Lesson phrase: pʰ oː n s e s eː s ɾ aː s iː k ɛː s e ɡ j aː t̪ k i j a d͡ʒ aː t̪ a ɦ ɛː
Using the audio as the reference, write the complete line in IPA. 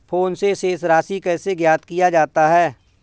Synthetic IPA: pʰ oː n s e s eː s ɾ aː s i k ɛː s e ɡ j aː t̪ k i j a d͡ʒ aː t̪ a ɦ ɛː